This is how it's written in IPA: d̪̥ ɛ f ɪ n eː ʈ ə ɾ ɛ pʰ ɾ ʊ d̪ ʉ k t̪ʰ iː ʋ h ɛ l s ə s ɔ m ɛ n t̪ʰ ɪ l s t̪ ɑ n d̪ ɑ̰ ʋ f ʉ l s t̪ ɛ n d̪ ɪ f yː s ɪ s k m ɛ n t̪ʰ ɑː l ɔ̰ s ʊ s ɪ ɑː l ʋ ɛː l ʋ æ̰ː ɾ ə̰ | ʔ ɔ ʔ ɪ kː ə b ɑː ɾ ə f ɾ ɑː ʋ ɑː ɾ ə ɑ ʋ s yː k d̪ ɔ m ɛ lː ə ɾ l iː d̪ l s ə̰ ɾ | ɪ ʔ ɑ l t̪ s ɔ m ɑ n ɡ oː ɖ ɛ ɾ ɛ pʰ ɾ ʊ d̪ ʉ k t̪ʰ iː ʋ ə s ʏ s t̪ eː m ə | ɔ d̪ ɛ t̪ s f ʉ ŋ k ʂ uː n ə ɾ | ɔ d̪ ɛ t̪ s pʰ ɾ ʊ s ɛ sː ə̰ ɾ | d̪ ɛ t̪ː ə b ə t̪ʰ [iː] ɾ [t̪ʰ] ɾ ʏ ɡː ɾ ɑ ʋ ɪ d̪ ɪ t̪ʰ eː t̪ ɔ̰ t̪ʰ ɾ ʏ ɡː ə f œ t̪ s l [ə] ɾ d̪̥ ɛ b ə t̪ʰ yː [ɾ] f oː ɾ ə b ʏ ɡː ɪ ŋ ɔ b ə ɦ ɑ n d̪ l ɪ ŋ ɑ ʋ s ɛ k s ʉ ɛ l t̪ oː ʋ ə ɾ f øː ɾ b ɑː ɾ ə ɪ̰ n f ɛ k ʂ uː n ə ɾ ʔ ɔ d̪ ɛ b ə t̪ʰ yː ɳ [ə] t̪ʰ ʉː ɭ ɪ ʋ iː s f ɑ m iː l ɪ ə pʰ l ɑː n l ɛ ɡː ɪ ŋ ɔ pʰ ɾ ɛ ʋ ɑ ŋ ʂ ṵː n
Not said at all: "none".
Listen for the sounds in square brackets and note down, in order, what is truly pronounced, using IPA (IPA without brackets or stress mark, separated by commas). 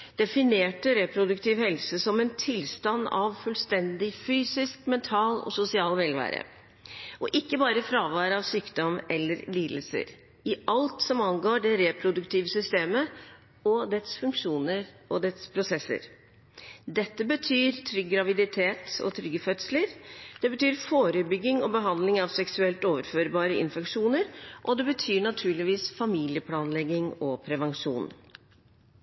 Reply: yː, t̪ʰ, ə, ɾ, ɑ